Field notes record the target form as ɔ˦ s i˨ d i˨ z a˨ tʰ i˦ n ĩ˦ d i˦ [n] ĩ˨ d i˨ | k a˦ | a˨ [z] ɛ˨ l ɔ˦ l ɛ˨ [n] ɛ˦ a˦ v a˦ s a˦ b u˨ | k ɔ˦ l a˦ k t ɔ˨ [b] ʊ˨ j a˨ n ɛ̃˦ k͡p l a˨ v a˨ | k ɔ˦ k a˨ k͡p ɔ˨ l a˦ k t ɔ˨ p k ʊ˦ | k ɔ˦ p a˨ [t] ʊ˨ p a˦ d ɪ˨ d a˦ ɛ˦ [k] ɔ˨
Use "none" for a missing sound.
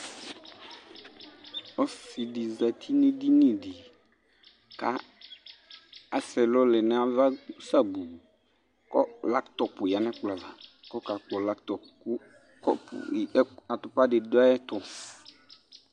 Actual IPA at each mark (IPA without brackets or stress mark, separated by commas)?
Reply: n, s, n, p, t, t